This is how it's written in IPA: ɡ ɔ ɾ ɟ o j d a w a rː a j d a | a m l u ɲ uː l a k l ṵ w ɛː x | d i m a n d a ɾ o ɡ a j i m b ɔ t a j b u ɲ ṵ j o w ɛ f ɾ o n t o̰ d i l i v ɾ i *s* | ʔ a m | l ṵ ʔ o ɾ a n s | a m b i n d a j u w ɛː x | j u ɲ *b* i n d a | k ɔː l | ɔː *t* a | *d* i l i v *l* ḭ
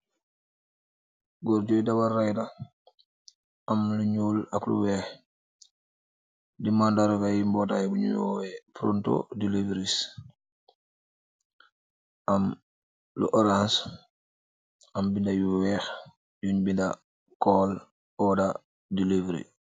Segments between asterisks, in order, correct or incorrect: correct, correct, incorrect: d, correct, incorrect: ɾ

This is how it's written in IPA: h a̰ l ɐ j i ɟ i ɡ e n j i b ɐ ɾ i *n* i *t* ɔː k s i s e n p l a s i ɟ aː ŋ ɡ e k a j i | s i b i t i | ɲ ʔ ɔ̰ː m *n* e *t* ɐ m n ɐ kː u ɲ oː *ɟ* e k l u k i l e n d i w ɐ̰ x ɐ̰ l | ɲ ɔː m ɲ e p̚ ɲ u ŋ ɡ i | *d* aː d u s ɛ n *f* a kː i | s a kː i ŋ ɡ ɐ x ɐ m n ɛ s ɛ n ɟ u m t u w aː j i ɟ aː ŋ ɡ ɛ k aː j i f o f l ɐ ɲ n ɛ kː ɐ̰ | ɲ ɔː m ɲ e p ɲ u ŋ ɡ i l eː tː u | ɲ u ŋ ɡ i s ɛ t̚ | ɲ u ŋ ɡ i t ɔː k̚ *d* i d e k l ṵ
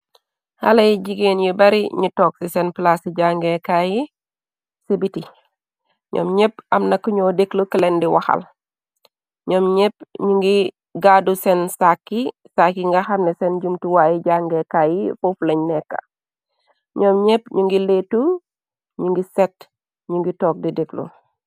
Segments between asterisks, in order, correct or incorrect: incorrect: ɲ, correct, incorrect: ɲ, incorrect: p, incorrect: d, incorrect: ɡ, incorrect: s, correct

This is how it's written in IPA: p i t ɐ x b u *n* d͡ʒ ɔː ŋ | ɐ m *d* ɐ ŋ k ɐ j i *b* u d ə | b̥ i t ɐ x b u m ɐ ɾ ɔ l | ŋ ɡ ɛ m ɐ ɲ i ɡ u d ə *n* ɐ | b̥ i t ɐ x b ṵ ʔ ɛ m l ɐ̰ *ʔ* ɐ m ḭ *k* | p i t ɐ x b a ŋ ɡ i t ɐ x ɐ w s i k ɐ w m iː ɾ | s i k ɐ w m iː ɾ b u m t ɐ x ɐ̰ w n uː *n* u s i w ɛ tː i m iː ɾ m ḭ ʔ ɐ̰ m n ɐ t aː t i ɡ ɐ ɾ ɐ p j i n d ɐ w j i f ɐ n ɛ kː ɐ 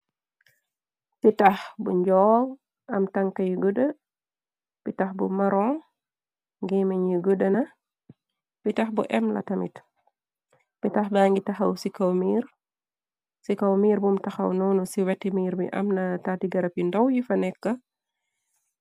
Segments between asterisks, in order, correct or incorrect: incorrect: ɲ, incorrect: t, incorrect: ɡ, correct, incorrect: t, incorrect: t, correct

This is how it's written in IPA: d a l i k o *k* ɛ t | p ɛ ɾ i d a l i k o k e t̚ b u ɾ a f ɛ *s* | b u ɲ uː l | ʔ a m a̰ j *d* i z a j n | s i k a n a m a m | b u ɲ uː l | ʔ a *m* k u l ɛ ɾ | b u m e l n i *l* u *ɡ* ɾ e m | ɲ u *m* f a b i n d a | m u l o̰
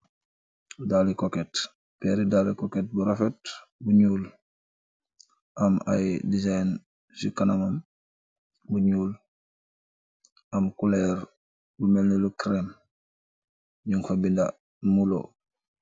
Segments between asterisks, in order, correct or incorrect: correct, incorrect: t, correct, correct, correct, incorrect: k, incorrect: ŋ

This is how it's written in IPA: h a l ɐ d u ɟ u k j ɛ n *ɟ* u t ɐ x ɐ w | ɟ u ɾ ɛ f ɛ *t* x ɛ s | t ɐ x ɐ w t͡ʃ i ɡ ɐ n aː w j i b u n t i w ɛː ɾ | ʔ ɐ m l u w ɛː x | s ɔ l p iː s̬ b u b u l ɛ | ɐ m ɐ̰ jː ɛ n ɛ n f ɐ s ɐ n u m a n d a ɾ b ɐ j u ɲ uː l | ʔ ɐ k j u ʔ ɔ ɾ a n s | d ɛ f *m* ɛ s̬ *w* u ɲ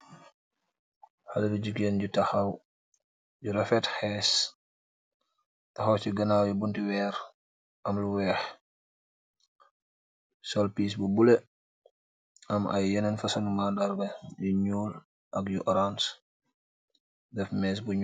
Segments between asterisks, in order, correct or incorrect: correct, correct, correct, incorrect: b

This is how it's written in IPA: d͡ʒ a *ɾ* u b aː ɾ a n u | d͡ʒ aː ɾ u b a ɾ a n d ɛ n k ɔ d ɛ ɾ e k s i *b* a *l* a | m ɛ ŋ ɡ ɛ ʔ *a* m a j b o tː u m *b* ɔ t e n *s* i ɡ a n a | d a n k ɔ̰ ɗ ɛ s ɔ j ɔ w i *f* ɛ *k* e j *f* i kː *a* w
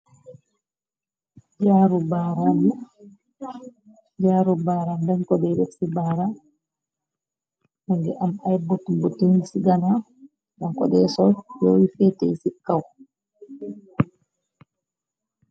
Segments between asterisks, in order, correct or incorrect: correct, correct, incorrect: ɾ, correct, correct, correct, correct, incorrect: t, incorrect: s, correct

